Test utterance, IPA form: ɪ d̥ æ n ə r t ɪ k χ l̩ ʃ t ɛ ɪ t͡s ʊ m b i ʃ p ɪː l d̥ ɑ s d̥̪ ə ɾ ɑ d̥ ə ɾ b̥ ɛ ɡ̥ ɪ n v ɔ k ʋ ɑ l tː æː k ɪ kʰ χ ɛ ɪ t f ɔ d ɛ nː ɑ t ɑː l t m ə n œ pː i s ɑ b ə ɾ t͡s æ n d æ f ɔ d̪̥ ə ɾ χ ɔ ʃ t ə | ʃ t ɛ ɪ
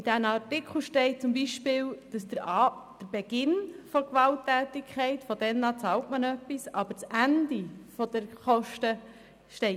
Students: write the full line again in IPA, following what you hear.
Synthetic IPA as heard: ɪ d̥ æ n ɑ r t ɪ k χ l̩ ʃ t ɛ ɪ t͡s ʊ m b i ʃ p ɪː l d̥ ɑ s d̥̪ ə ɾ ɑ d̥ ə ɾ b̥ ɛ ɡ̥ ɪ n f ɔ k ʋ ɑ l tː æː t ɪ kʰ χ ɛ ɪ t f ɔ d ɛ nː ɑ t͡s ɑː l t m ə n œ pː i s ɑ b ə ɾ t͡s æ n d i f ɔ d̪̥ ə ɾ χ ɔ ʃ t ə | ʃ t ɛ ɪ